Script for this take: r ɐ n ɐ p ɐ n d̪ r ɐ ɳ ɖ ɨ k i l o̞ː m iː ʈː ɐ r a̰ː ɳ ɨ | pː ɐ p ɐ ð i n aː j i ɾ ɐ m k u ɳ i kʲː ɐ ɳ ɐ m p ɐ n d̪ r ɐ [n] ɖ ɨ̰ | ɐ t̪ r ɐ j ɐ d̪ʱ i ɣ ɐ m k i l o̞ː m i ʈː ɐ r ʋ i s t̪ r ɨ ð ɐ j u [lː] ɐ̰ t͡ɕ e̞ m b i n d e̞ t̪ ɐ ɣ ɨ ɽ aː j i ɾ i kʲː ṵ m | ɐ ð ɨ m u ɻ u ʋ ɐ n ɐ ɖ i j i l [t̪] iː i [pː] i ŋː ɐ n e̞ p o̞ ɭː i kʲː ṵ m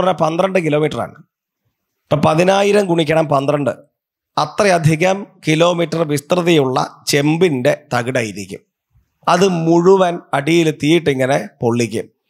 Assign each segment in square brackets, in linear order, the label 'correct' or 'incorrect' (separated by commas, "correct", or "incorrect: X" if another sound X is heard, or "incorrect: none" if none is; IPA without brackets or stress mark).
incorrect: ɳ, incorrect: ɭː, correct, incorrect: ʈː